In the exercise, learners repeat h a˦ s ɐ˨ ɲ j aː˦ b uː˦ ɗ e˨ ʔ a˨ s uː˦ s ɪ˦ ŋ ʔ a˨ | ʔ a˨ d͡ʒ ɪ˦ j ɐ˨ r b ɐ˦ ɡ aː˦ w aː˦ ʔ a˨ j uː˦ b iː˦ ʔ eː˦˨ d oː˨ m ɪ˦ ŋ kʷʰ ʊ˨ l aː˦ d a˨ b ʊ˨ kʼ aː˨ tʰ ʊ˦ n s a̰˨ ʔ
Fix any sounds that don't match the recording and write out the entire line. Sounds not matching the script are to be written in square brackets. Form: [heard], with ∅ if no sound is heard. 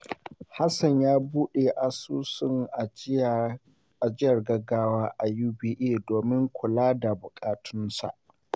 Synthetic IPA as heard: h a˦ s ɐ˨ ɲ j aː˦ b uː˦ ɗ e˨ ʔ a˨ s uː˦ s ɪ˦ ŋ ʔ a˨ | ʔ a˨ d͡ʒ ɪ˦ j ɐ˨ r [ɡ] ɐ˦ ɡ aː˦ w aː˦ ʔ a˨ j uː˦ b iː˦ ʔ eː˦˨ d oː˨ m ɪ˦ ŋ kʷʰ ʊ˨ l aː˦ d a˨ b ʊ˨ kʼ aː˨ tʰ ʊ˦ n s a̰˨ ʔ